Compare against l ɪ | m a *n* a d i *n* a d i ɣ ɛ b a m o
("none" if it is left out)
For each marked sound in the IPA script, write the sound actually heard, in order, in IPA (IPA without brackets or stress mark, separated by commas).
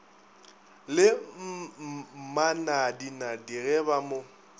n, n